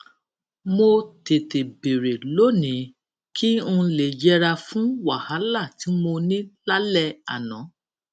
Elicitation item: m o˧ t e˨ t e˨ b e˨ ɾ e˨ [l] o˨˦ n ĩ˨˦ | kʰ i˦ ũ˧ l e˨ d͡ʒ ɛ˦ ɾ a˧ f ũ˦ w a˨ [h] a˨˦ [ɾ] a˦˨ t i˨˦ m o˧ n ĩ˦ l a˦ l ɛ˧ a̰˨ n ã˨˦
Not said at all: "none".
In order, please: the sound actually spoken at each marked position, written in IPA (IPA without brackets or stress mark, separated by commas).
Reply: l, h, l